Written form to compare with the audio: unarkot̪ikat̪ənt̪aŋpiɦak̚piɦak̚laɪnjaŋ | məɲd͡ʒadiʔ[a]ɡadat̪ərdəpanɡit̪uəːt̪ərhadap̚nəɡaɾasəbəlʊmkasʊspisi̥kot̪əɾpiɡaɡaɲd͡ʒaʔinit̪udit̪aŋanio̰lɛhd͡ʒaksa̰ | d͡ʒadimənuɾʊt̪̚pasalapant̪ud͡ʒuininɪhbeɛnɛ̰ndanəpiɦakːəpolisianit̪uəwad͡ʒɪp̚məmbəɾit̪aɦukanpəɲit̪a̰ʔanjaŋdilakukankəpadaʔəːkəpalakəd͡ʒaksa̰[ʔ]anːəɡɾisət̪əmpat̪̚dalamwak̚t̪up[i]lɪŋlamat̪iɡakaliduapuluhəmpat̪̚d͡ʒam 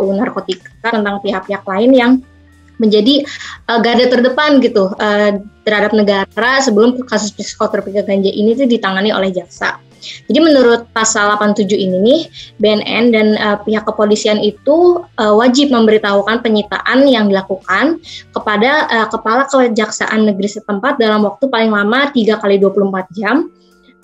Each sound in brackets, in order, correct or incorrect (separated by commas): incorrect, correct, incorrect